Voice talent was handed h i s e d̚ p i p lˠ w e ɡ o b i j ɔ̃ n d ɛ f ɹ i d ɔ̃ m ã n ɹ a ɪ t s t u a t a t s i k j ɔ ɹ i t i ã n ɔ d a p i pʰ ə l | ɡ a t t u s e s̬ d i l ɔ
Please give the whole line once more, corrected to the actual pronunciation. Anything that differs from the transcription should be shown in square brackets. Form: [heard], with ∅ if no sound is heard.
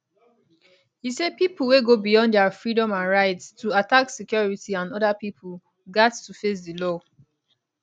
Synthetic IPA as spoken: h i s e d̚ p i p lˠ w e ɡ o b i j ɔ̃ n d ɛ f ɹ i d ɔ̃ m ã n ɹ a ɪ t s t u a t a [k] s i k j ɔ ɹ i t i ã n ɔ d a p i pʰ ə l | ɡ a t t u [f] e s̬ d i l ɔ